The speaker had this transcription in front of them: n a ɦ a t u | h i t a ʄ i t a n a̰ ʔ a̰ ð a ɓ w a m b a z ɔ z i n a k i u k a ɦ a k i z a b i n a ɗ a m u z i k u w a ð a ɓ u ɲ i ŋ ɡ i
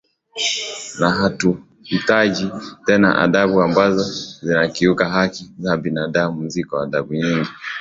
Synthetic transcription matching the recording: n a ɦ a t u | h i t a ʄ i t ɛ n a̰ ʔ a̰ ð a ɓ u a m b a z ɔ z i n a k i u k a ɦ a k i z a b i n a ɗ a m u z i k ɔ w a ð a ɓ u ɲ i ŋ ɡ i